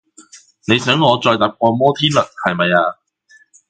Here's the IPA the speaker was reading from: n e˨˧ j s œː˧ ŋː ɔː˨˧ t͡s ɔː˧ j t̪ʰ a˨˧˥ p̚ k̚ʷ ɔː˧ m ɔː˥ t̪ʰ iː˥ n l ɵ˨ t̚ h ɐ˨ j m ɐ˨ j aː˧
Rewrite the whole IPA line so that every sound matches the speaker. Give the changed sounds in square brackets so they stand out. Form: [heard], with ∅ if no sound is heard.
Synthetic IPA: n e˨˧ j s [œː˨˥] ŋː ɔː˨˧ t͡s ɔː˧ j [t̪] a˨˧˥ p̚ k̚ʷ ɔː˧ m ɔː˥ t̪ʰ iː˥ n l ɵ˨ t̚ h ɐ˨ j m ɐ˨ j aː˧